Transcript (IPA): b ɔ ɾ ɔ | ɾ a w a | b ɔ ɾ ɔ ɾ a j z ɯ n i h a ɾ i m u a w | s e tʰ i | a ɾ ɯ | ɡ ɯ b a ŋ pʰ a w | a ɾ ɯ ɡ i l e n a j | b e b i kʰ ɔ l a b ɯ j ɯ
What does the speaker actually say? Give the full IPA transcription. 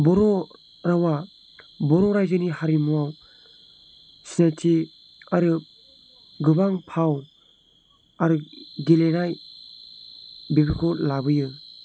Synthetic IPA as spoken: b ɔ ɾ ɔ | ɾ a w a | b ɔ ɾ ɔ ɾ a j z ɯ n i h a ɾ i m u a w | s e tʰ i | a ɾ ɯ | ɡ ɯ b a ŋ pʰ a w | a ɾ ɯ ɡ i l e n a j | b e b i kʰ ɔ l a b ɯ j ɯ